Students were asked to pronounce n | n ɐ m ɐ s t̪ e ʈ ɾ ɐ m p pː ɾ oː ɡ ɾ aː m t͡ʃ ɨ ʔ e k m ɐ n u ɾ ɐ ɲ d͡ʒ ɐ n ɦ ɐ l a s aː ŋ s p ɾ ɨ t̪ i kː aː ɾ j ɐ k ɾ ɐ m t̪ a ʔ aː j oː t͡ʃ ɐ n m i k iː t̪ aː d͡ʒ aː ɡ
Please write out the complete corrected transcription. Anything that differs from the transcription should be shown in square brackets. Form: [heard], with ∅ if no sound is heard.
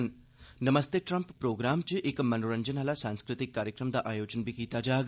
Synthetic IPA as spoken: n | n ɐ m ɐ s t̪ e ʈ ɾ ɐ m p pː ɾ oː ɡ ɾ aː m t͡ʃ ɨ ʔ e k m ɐ n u ɾ ɐ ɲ d͡ʒ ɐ n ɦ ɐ l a s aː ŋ s [k] ɾ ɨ t̪ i kː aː ɾ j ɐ k ɾ ɐ m [d̪] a ʔ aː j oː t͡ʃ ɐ n [b] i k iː t̪ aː d͡ʒ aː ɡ